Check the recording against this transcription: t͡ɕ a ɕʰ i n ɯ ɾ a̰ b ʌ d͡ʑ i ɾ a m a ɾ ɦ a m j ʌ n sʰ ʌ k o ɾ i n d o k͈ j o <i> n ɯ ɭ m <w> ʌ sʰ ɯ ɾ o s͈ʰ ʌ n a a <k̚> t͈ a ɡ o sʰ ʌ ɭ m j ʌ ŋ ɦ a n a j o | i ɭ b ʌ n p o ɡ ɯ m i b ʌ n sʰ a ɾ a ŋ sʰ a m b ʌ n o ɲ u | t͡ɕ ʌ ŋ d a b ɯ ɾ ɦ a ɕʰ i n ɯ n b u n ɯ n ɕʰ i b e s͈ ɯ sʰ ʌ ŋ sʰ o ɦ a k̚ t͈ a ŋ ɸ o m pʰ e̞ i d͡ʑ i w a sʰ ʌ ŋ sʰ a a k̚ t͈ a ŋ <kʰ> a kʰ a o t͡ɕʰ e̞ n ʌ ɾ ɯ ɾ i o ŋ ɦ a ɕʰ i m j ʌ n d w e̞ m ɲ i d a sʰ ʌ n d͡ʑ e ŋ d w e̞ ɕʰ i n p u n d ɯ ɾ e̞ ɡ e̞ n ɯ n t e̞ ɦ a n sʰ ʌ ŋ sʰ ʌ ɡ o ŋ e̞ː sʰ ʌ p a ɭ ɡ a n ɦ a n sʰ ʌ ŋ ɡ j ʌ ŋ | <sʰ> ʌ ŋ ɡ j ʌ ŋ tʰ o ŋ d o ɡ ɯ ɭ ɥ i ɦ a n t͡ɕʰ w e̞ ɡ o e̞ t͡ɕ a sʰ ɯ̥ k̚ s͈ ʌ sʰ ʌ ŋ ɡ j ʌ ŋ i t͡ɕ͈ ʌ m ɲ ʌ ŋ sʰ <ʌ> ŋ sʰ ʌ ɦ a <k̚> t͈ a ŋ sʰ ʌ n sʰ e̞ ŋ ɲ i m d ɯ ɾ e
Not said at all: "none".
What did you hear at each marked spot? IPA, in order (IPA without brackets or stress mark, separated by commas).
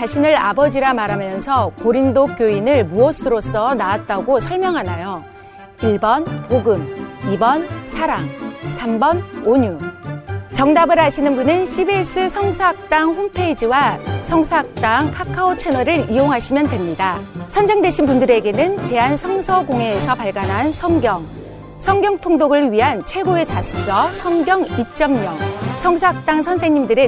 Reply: i, u, t̚, kʰ, sʰ, ʌ, k̚